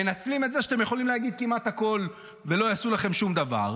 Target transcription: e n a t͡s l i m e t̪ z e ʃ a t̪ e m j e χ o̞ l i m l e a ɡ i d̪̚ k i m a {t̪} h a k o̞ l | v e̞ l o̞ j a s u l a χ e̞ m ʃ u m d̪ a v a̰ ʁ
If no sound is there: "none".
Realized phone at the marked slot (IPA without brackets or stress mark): t̪